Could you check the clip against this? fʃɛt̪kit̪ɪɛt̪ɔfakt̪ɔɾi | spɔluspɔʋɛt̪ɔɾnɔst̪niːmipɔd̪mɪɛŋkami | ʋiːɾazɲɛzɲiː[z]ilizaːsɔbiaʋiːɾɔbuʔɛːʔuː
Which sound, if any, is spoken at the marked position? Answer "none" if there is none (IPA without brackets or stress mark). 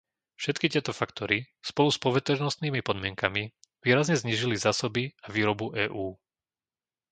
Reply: ʒ